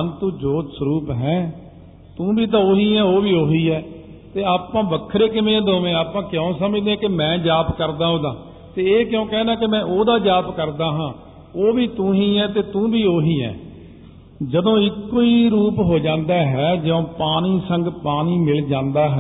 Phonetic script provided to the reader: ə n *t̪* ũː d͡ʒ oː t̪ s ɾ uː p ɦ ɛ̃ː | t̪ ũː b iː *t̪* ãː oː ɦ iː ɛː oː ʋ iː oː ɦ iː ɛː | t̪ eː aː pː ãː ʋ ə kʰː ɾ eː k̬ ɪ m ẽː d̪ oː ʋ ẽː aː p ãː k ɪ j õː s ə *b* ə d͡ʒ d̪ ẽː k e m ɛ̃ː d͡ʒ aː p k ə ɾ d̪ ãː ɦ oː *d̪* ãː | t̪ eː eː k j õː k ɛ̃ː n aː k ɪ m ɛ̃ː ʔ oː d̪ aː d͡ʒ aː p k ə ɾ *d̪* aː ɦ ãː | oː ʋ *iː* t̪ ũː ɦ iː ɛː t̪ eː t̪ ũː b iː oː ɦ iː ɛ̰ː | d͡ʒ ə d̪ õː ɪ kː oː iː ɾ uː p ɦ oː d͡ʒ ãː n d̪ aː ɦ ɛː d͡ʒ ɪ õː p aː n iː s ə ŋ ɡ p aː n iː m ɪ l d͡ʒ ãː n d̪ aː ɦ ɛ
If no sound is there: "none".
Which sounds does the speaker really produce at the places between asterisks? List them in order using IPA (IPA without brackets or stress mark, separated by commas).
t̪, t̪, m, d̪, d̪, iː